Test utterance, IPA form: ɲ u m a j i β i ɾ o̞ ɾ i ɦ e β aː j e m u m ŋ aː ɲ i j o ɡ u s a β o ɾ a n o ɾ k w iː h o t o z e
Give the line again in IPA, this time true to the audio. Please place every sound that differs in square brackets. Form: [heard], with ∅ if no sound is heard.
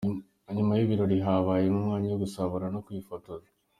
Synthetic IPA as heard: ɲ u m a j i β i ɾ o̞ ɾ i ɦ [a] β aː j e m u m ŋ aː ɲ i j o ɡ u s a β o ɾ a n o [∅] k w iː [f] o t o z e